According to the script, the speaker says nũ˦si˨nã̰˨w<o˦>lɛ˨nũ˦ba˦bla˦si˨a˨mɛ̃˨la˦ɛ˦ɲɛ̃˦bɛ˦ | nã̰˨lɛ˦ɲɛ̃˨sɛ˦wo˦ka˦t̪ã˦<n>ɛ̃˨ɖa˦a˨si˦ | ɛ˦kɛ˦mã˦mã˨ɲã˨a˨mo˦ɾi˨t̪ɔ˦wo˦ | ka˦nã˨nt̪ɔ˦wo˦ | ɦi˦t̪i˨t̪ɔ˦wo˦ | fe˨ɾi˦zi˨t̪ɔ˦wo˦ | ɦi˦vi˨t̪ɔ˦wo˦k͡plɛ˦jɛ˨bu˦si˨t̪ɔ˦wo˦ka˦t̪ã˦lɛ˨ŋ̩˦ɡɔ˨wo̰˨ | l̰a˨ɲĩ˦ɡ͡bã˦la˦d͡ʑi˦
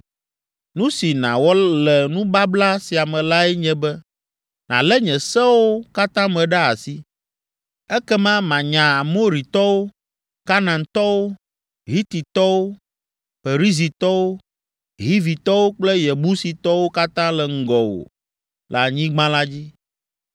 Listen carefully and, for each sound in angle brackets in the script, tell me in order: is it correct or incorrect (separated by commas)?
incorrect, incorrect